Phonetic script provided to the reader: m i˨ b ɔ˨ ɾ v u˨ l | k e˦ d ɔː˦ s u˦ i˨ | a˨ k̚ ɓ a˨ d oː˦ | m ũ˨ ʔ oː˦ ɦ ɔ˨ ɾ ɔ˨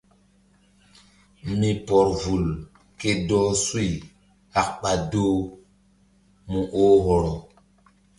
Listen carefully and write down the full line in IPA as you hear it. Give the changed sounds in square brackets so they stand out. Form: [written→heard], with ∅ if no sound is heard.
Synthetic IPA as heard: m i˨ [b→p] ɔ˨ ɾ v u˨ l | k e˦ d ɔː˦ s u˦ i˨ | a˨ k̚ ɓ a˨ d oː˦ | m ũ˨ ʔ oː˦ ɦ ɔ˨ ɾ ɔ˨

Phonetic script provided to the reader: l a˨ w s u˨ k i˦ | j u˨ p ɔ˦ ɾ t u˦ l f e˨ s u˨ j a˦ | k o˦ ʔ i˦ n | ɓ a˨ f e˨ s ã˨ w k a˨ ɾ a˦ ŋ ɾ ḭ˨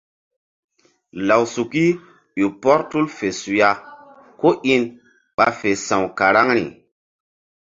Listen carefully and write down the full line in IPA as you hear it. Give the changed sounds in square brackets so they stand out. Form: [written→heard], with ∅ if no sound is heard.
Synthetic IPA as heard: l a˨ w s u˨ k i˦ | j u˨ p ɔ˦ ɾ t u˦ l f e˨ s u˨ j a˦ | k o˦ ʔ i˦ n | ɓ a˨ f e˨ s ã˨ w k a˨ ɾ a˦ ŋ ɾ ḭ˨

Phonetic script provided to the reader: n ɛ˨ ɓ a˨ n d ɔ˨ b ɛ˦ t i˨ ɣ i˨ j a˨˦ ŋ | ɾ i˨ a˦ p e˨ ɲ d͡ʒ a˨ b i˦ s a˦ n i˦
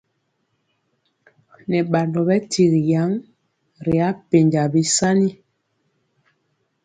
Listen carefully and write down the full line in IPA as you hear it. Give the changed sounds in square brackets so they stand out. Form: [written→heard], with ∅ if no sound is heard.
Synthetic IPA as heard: n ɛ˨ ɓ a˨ n d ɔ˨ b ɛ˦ t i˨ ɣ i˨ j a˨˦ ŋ | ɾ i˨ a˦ p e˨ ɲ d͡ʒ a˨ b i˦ s a˦ n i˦

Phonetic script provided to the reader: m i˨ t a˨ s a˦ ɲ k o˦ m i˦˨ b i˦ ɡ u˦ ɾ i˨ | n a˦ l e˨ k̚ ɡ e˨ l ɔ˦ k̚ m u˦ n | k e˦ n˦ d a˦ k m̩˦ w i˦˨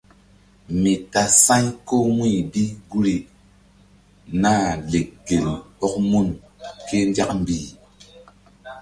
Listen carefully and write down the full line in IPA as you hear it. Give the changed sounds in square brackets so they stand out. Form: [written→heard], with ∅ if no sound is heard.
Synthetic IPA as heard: m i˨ t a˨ s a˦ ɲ k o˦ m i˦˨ b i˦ ɡ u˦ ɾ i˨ | n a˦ l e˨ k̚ ɡ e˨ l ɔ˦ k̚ m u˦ n | k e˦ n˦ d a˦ k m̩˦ [w→b] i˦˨

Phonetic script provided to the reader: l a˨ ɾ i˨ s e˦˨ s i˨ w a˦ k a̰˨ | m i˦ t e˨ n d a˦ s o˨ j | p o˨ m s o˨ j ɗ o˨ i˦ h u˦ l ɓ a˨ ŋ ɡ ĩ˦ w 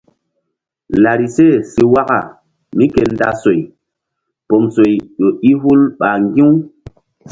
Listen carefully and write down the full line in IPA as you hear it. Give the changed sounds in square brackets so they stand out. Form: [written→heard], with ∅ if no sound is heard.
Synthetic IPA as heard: l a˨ ɾ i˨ s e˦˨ s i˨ w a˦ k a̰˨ | m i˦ [t→k] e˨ n d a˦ s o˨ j | p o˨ m s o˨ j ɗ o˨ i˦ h u˦ l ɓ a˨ ŋ ɡ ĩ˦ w

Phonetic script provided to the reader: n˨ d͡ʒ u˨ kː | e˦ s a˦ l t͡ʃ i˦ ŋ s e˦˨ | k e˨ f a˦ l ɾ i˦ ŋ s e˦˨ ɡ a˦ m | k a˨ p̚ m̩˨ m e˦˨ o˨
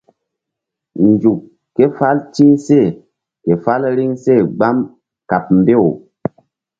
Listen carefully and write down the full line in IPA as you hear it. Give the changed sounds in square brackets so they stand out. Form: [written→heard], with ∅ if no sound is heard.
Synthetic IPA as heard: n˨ d͡ʒ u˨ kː | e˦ [s→f] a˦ l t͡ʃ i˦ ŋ s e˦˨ | k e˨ f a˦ l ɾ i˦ ŋ s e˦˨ [ɡ→ɡ͡b] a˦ m | k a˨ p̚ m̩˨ [m→b] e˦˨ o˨

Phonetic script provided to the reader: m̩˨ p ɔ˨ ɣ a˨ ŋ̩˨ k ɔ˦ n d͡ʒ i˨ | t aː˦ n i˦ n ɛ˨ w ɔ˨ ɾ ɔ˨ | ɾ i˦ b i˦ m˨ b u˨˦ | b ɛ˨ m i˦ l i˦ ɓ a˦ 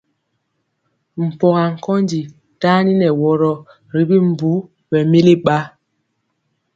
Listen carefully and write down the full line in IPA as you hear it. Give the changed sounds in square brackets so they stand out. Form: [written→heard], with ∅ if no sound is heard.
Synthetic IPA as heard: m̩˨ p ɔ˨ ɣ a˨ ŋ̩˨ k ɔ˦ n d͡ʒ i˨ | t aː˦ n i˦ n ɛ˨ w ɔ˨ ɾ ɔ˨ | ɾ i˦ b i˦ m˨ b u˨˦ | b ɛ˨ m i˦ l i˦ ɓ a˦

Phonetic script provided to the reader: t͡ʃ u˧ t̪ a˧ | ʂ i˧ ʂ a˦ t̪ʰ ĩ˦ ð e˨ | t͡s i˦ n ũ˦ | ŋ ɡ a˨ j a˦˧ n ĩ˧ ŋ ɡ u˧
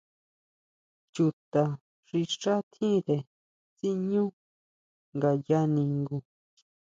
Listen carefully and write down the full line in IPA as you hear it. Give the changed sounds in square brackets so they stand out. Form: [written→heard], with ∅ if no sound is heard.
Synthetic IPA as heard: t͡ʃ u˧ t̪ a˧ | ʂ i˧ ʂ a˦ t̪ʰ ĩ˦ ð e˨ | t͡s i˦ [n→ɲ] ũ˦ | ŋ ɡ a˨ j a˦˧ n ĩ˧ ŋ ɡ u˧

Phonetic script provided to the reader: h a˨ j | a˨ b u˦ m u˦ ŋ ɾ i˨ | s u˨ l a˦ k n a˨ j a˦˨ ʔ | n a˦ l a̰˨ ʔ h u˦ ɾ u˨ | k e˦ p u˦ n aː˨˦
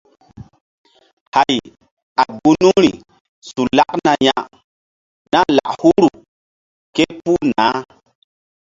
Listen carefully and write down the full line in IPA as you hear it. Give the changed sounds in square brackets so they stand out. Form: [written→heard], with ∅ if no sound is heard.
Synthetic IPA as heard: h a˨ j | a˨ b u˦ [m→n] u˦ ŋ ɾ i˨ | s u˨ l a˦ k n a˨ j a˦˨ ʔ | n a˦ l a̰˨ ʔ h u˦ ɾ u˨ | k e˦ p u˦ n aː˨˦

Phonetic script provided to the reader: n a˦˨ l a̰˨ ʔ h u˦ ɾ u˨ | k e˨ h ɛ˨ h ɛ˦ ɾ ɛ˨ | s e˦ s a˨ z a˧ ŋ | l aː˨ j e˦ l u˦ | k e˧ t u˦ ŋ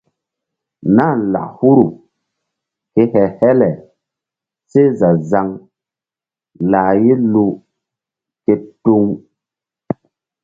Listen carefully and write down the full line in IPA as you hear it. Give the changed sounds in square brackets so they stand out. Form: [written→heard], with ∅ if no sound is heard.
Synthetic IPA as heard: n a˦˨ l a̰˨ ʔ h u˦ ɾ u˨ | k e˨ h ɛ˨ h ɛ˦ [ɾ→l] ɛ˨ | s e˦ [s→z] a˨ z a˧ ŋ | l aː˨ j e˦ l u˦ | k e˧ t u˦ ŋ

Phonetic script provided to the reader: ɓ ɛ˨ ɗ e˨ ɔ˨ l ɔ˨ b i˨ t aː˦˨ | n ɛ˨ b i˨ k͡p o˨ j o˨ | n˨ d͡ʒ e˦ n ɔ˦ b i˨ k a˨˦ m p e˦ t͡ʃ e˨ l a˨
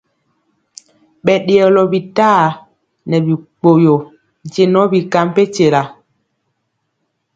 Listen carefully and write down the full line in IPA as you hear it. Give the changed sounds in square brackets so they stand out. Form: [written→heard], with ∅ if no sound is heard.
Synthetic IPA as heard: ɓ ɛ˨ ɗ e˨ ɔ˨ l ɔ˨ b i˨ t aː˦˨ | n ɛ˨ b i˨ k͡p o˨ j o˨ | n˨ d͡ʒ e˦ n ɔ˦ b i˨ k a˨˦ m p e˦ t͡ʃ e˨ l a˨

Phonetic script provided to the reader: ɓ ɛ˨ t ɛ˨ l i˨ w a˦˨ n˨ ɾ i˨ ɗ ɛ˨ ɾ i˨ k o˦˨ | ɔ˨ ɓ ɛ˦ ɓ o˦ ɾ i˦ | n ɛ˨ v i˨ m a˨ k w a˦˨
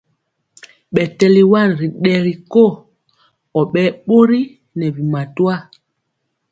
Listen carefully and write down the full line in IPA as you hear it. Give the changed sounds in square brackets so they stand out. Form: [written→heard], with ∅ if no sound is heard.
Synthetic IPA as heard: ɓ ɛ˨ t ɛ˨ l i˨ w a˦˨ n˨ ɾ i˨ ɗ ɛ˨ ɾ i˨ k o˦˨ | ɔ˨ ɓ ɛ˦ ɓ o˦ ɾ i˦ | n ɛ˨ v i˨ m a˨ [k→t] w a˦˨

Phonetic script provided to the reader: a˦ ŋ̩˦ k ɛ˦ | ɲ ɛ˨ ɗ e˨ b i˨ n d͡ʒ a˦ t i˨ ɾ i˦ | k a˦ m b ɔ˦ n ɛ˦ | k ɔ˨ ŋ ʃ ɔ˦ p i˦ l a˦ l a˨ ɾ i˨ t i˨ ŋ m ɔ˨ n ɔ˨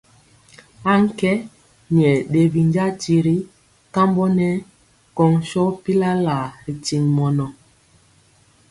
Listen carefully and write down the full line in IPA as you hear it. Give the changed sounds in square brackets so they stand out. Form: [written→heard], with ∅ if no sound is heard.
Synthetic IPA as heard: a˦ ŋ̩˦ k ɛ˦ | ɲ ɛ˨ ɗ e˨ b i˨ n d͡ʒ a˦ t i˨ ɾ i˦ | k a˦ m b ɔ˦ n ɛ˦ | k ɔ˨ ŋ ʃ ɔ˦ p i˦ l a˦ l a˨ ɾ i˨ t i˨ ŋ m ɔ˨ n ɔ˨

